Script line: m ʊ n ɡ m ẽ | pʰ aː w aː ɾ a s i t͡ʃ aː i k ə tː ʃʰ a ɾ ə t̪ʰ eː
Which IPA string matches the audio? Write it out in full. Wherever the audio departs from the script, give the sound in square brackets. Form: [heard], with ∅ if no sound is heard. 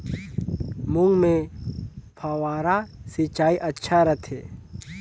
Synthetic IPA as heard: m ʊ [ŋ] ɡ m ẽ | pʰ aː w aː ɾ a s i t͡ʃ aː i [ʔ] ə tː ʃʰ a ɾ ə t̪ʰ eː